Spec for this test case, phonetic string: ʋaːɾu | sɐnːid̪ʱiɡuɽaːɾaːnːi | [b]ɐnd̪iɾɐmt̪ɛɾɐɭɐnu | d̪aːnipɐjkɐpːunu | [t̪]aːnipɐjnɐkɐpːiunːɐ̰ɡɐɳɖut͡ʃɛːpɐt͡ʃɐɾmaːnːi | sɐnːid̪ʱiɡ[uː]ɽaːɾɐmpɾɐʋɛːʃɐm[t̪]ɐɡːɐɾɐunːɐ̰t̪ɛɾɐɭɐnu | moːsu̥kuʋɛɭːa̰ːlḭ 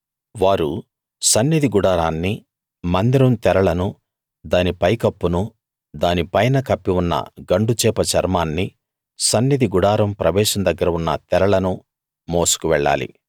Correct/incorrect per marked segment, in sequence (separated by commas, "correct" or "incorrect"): incorrect, incorrect, incorrect, incorrect